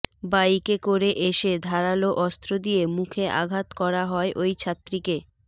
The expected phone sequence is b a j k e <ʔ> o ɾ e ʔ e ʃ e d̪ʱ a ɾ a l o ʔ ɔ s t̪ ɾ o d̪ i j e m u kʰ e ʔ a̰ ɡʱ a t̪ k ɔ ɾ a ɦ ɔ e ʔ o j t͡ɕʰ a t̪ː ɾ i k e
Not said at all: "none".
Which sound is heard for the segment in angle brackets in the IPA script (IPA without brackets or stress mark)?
k